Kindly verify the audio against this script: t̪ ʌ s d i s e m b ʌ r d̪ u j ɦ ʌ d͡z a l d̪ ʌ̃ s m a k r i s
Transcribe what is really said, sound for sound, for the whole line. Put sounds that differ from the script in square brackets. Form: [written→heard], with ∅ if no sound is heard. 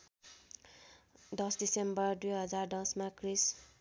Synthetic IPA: [t̪→d̪] ʌ s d i s e m b ʌ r d̪ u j ɦ ʌ d͡z a [l→r] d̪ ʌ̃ s m a k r i s